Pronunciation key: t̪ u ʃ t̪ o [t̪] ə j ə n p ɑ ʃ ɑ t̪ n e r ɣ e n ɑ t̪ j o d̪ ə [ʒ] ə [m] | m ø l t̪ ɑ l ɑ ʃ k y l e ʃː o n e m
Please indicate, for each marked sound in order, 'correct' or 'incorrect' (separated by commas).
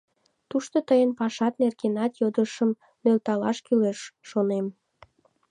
correct, incorrect, correct